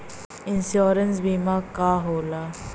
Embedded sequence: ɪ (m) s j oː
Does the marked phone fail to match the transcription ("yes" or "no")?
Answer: yes